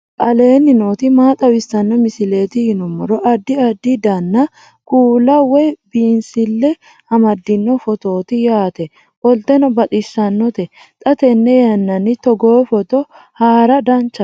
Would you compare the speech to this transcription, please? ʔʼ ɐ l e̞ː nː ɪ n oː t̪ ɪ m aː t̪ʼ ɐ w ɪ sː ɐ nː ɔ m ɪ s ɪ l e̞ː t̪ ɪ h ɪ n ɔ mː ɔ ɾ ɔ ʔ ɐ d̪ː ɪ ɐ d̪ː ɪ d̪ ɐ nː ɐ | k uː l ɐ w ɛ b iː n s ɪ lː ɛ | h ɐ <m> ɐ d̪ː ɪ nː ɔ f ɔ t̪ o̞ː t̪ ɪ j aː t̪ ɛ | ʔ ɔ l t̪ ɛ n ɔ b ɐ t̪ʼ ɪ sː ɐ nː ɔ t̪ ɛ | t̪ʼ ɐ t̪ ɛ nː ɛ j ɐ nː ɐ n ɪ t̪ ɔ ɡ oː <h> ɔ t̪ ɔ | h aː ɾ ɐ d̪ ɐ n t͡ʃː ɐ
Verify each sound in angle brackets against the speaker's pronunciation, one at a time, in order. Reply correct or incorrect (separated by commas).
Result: correct, incorrect